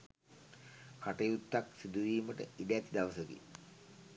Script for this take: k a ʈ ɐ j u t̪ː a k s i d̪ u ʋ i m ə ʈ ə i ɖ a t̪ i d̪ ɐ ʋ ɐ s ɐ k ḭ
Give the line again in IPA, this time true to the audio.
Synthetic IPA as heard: k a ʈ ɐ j u t̪ː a k s i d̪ u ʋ iː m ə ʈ ə i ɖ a t̪ i d̪ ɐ ʋ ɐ s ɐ k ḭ